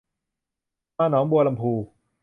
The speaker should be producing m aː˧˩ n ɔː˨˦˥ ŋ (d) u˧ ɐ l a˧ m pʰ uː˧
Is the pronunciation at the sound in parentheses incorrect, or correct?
incorrect